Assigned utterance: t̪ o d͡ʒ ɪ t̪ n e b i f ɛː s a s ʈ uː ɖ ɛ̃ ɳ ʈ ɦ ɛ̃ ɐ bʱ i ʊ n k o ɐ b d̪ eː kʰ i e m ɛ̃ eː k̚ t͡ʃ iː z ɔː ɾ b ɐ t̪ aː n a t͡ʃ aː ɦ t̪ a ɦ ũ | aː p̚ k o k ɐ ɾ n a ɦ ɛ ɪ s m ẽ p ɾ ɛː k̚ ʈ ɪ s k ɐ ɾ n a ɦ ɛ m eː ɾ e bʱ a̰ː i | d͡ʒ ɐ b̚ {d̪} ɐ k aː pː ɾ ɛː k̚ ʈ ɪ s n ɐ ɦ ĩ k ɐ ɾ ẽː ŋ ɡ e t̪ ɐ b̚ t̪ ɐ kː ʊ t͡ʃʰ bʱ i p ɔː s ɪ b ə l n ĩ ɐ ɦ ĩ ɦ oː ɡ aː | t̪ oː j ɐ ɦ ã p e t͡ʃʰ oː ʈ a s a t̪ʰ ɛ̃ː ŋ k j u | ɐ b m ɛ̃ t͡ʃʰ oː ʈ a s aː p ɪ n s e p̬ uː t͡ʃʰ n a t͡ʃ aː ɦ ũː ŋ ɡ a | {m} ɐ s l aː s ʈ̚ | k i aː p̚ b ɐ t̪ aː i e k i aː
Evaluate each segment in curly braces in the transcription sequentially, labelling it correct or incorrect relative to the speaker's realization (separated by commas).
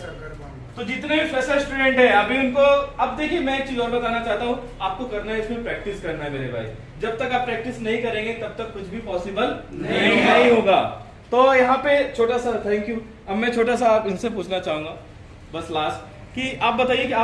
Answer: incorrect, incorrect